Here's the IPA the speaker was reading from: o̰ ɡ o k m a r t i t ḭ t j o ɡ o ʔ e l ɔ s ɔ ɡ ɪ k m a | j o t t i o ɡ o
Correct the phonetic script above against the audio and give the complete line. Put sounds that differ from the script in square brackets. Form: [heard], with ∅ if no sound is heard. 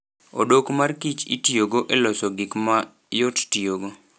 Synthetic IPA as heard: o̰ [d] o k m a r [k] i [t͡ʃ] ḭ t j o ɡ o ʔ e l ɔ s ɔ ɡ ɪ k m a | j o t t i o ɡ o